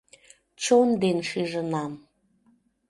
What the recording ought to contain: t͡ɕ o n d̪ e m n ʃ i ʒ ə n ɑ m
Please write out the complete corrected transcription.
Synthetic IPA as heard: t͡ɕ o n d̪ e n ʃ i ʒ ə n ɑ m